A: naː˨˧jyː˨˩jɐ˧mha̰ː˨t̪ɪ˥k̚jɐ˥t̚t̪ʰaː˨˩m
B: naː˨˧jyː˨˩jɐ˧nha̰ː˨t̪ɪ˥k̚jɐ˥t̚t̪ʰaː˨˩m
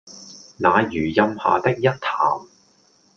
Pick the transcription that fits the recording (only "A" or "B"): A